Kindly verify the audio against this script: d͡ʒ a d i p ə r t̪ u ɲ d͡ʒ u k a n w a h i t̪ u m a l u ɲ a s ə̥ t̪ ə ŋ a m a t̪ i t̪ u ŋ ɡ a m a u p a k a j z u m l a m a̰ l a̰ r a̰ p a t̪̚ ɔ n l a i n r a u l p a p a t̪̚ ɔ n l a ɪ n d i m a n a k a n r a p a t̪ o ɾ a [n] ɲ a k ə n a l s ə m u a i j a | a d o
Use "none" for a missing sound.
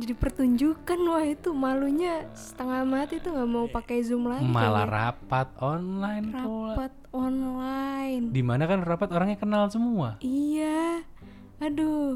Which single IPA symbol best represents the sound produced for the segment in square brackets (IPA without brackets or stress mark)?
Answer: ŋ